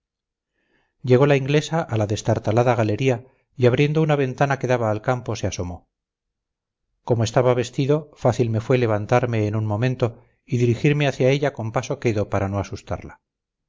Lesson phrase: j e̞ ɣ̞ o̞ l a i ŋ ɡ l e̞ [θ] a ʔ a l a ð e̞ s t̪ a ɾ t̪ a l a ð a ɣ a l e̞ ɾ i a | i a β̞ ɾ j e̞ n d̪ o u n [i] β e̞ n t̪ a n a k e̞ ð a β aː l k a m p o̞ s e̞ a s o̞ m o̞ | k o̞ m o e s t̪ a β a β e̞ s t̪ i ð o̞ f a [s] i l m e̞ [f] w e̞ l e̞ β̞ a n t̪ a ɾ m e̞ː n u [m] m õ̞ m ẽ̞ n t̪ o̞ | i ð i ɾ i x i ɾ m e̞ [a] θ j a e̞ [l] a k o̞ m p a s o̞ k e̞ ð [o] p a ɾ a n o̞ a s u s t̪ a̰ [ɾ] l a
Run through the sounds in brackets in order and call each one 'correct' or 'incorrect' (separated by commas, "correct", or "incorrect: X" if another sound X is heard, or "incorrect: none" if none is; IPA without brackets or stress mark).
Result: incorrect: s, incorrect: a, incorrect: θ, correct, incorrect: n, correct, incorrect: ʎ, correct, correct